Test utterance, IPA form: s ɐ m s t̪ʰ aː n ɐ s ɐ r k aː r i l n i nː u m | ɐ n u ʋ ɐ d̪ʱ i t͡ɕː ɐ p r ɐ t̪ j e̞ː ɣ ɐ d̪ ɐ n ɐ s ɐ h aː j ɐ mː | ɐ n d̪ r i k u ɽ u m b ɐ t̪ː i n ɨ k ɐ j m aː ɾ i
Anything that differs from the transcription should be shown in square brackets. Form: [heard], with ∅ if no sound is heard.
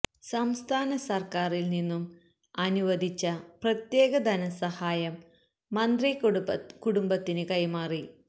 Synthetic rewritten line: s ɐ m s t̪ʰ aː n ɐ s ɐ r k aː r i l n i nː u m | ɐ n u ʋ ɐ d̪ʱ i t͡ɕː ɐ p r ɐ t̪ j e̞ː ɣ ɐ d̪ ɐ n ɐ s ɐ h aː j ɐ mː | ɐ n d̪ r i k u ɽ u m b ɐ t̪ː i n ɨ k ɐ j m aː [r] i